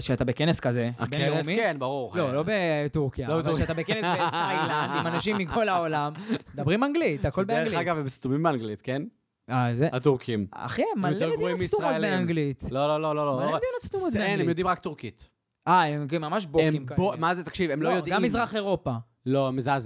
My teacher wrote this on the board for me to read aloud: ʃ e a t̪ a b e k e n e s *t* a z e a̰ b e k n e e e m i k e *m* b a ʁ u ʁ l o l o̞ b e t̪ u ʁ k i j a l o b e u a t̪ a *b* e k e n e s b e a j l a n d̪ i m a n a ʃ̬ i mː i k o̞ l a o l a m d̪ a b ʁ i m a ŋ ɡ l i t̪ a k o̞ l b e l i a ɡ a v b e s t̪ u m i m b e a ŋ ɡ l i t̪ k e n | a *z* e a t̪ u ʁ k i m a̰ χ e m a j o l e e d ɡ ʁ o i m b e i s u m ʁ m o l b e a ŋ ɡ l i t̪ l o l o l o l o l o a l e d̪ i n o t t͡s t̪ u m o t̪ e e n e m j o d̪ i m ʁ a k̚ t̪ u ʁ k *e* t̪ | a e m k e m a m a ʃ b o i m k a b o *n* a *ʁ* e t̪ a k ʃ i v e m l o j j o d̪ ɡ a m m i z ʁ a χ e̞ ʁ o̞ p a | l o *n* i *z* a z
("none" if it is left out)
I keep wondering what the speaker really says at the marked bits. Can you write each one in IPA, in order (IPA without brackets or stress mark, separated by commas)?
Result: k, n, b, z, i, m, z, m, z